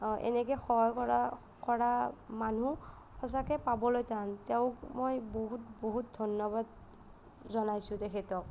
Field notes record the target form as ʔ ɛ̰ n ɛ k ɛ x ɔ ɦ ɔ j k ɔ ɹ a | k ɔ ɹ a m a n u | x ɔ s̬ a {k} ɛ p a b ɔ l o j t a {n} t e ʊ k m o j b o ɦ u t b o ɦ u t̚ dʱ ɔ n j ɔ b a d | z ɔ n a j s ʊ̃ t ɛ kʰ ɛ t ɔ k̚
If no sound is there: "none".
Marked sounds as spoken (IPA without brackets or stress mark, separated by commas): k, n